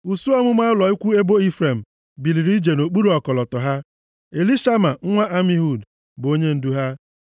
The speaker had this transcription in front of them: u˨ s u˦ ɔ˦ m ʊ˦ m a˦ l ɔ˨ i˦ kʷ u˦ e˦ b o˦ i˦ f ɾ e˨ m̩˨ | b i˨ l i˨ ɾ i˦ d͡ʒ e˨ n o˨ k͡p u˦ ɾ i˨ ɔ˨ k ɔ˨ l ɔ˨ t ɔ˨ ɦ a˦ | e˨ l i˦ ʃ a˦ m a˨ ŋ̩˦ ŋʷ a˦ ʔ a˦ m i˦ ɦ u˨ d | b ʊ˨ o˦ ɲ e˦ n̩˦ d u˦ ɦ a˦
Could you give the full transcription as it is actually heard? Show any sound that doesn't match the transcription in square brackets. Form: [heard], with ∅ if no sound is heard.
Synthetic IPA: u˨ s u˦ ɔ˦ m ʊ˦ m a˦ l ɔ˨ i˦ kʷ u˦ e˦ b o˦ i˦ f ɾ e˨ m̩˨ | b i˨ l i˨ ɾ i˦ d͡ʒ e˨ n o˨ k͡p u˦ ɾ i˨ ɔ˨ k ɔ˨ l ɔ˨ t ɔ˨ ɦ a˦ | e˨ l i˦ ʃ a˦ m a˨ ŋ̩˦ ŋʷ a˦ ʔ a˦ m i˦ ɦ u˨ d | b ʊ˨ o˦ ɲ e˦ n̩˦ d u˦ ɦ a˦